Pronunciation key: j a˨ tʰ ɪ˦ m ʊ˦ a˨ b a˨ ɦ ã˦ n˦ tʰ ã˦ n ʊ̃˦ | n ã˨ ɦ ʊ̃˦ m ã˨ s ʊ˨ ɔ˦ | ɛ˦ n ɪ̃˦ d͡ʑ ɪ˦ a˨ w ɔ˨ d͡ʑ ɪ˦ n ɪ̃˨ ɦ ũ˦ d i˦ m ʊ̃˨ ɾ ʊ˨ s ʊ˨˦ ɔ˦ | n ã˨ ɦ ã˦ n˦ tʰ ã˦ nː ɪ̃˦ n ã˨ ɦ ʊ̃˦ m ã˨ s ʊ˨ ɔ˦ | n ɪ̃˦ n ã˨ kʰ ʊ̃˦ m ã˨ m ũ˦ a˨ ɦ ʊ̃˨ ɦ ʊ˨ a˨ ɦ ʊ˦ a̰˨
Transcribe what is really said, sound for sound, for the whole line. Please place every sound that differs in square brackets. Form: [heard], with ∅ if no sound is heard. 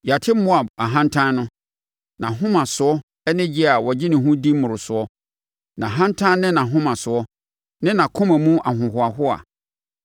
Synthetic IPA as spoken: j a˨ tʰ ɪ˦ m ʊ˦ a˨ b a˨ ɦ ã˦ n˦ tʰ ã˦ n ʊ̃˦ | n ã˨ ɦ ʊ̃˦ m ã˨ s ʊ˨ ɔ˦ | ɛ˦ n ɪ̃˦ d͡ʑ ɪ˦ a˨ w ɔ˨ d͡ʑ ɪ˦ n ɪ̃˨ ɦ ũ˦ d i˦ m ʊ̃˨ ɾ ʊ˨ s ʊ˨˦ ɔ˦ | n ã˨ ɦ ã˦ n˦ tʰ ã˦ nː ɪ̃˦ n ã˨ ɦ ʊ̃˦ m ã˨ s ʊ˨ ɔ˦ | n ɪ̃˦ n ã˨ kʰ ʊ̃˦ m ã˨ m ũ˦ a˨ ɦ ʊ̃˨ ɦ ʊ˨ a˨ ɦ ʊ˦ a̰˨